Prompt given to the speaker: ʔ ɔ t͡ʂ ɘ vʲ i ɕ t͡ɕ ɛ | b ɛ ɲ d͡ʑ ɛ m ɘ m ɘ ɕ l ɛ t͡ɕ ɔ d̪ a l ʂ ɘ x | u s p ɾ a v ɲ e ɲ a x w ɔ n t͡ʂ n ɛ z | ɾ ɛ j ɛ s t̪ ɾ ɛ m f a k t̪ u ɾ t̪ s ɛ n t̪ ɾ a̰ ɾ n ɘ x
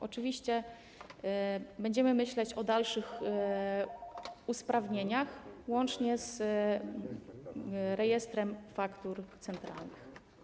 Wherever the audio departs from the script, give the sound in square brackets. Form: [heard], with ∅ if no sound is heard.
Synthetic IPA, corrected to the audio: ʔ ɔ t͡ʂ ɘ vʲ i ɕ t͡ɕ ɛ | b ɛ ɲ d͡ʑ ɛ m ɘ m ɘ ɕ l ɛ t͡ɕ ɔ d̪ a l ʂ ɘ x | u s p ɾ a v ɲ e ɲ a x w ɔ n t͡ʂ [ɲ] ɛ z | ɾ ɛ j ɛ s t̪ ɾ ɛ m f a k t̪ u ɾ t̪ s ɛ n t̪ ɾ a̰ [l] n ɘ x